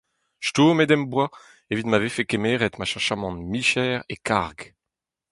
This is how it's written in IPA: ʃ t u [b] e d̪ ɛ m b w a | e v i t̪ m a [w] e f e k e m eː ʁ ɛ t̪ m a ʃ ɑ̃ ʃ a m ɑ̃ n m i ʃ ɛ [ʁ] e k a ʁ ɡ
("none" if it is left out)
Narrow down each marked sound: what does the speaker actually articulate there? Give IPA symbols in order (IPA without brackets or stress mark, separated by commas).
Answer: m, v, ʁ